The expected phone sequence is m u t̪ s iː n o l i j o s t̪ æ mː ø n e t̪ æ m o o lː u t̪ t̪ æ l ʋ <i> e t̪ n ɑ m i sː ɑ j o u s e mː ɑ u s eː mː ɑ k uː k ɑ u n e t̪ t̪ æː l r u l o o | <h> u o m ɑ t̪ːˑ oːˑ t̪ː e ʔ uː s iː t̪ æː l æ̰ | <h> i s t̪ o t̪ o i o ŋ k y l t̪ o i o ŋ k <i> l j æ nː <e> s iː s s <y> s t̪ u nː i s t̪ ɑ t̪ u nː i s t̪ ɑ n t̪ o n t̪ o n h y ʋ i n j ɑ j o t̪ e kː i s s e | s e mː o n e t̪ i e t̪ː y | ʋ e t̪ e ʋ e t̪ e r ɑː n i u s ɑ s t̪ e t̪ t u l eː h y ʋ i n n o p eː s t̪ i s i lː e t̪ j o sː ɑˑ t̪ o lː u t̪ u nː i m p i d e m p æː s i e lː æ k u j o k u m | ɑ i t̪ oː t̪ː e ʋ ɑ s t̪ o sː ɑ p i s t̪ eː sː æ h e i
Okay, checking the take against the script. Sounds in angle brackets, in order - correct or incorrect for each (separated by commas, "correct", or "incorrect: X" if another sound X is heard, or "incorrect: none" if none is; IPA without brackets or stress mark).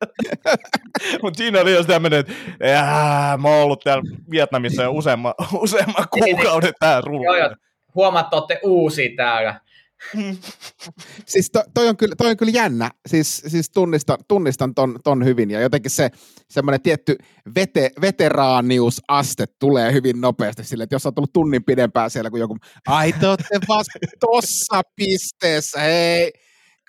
correct, correct, incorrect: s, incorrect: y, incorrect: æ, incorrect: i